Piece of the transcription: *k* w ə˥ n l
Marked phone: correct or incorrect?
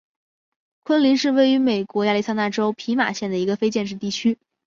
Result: incorrect: kʰ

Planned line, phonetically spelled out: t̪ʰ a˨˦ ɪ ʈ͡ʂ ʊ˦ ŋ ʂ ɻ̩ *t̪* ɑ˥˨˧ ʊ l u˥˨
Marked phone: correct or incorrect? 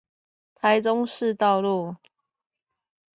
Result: correct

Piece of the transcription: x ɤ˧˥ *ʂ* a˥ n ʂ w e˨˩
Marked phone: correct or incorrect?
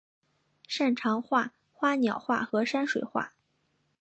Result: correct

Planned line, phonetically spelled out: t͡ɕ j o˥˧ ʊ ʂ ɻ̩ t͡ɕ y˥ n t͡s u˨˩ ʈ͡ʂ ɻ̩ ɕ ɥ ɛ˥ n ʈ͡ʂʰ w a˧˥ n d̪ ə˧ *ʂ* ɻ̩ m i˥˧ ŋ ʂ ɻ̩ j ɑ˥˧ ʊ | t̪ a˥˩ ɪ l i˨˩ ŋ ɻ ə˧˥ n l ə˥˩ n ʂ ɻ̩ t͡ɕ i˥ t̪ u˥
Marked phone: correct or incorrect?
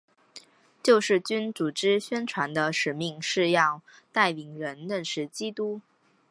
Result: correct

